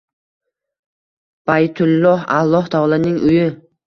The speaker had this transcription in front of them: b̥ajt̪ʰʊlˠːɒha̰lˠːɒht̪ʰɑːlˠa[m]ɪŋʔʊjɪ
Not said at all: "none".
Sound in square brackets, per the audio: n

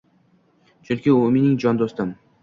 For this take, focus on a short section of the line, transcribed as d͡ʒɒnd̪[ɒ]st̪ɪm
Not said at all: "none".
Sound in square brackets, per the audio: o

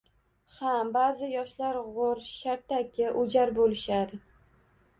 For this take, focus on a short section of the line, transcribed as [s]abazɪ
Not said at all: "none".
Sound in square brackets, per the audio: h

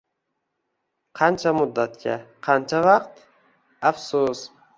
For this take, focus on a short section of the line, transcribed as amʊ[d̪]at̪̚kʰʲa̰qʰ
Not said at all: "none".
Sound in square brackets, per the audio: d̪ː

